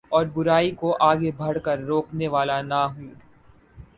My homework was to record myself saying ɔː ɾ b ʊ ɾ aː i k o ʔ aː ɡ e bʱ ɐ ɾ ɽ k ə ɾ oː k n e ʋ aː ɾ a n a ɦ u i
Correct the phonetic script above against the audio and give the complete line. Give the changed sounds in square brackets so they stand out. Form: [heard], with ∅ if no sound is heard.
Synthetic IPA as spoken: ɔː ɾ b ʊ ɾ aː i k o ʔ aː ɡ e bʱ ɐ [∅] ɽ k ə [ɾː] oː k n e ʋ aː [l] a n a ɦ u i